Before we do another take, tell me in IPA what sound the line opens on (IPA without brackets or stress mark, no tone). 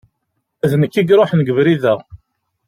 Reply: æ